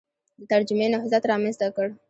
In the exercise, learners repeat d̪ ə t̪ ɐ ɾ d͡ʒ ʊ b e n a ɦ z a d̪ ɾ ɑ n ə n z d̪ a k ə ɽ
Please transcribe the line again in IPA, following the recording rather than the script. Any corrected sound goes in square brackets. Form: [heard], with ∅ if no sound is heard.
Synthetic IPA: d̪ ə t̪ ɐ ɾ d͡ʒ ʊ [m] e n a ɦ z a [t̪] ɾ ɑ [m] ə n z [t̪] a k ə ɽ